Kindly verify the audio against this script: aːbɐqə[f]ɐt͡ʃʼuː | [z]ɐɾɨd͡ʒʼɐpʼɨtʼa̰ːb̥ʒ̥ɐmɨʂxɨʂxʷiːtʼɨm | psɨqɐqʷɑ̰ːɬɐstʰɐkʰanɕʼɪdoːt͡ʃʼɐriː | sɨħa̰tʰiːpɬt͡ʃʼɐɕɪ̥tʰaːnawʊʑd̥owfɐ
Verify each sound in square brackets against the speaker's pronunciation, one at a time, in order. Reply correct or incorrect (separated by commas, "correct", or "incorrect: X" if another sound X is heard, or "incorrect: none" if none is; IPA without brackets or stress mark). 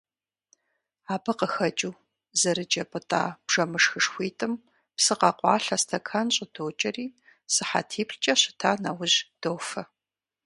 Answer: incorrect: x, correct